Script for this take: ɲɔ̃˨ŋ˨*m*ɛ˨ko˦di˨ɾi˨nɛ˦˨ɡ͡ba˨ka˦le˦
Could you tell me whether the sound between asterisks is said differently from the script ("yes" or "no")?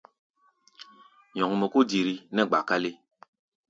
no